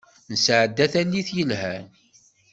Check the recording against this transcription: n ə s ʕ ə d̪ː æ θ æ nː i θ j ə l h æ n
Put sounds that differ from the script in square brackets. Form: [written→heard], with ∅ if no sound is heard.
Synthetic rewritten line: n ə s ʕ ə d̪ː æ θ æ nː i θ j ə l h æ n